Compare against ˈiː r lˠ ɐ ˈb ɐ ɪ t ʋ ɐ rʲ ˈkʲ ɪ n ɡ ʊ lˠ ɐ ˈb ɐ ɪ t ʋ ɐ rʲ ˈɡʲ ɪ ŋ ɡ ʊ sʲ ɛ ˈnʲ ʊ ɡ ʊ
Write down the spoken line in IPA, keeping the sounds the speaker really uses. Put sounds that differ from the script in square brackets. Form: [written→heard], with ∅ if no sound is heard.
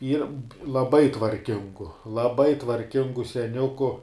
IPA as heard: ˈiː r lˠ ɐ ˈb ɐ ɪ t ʋ ɐ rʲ ˈkʲ ɪ [n→ŋ] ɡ ʊ lˠ ɐ ˈb ɐ ɪ t ʋ ɐ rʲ [ˈɡʲ→ˈkʲ] ɪ ŋ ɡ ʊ sʲ ɛ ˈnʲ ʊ [ɡ→k] ʊ